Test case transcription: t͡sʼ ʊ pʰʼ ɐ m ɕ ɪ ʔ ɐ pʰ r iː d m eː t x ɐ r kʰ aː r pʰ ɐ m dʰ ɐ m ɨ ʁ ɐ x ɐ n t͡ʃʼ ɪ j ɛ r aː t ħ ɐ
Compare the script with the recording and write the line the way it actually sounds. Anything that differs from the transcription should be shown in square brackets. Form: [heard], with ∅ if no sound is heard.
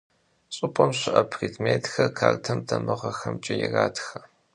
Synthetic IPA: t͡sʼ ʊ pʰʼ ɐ m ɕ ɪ ʔ ɐ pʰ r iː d m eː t x ɐ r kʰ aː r [tʰ] ɐ m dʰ ɐ m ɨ ʁ ɐ x ɐ [m] t͡ʃʼ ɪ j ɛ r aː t [x] ɐ